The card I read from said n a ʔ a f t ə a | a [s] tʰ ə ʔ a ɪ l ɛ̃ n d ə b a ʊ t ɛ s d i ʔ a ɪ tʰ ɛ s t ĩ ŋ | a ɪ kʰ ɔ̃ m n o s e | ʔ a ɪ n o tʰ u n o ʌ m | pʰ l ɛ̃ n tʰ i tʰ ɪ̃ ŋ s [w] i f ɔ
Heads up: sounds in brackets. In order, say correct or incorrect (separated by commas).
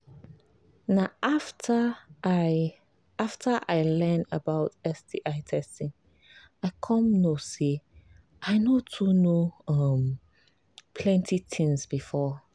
incorrect, incorrect